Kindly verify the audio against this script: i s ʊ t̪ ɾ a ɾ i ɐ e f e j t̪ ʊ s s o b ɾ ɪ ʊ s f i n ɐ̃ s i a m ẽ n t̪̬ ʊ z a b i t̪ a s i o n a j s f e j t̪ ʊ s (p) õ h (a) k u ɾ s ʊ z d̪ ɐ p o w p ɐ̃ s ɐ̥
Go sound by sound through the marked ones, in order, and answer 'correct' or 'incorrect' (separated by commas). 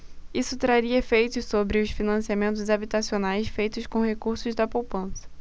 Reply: incorrect, incorrect